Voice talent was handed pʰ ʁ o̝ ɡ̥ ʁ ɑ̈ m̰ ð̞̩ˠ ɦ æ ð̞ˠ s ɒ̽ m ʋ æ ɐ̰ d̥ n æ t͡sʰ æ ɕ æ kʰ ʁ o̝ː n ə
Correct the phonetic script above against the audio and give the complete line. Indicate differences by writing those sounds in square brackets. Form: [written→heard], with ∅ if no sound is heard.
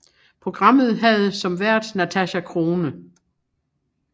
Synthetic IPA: pʰ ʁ o̝ ɡ̥ ʁ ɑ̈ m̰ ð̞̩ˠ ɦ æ ð̞ˠ s ɒ̽ m ʋ æ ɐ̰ d̥ n æ t͡sʰ æ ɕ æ kʰ ʁ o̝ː n ə